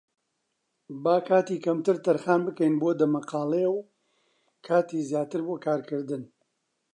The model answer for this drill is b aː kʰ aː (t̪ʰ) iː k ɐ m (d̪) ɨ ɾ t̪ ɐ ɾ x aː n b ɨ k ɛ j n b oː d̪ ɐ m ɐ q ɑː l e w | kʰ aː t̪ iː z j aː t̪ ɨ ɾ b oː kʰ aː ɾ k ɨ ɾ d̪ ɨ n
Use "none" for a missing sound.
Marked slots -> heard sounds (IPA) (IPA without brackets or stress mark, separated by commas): t̪, t̪